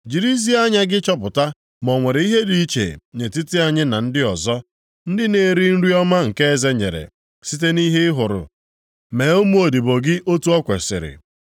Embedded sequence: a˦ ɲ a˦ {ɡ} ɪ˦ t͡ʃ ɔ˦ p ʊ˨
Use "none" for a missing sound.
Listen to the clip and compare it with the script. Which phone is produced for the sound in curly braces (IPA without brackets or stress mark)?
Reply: ɡ